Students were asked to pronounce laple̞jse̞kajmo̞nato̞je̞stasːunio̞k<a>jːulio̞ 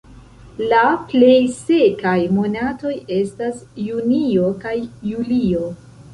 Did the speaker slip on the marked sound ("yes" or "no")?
no